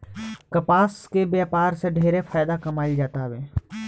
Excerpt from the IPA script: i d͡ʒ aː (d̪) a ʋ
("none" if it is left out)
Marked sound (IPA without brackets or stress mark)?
t̪